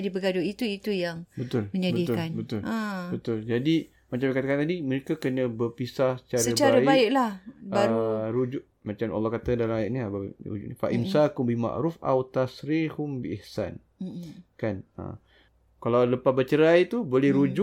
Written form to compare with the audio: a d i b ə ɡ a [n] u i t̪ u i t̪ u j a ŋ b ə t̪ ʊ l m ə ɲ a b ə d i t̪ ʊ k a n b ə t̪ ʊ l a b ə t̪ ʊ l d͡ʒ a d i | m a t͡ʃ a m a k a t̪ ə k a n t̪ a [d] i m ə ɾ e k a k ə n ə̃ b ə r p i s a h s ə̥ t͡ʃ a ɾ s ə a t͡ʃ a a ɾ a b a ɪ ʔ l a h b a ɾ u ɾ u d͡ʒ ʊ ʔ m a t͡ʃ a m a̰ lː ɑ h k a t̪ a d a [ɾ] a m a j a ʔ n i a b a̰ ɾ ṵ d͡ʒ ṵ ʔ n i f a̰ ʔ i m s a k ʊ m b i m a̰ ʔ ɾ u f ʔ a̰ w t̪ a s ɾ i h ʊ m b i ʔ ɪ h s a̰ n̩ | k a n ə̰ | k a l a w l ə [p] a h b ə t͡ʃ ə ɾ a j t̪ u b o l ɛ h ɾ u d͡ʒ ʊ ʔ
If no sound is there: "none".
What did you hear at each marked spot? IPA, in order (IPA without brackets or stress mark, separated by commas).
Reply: d, d, l, p